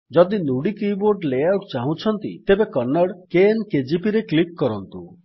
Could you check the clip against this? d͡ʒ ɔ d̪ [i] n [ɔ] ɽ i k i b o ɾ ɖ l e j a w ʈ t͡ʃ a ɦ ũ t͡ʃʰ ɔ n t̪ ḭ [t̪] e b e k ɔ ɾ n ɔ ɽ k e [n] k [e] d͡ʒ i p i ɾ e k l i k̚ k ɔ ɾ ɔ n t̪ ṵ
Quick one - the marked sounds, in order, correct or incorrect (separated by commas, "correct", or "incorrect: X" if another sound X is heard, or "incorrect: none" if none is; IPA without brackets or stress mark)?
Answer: correct, incorrect: u, correct, correct, correct